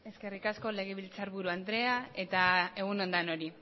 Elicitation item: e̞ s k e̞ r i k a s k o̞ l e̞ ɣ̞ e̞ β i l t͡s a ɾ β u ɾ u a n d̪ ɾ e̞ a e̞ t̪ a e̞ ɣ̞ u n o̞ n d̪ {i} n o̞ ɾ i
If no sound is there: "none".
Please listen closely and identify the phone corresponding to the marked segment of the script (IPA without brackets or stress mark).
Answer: a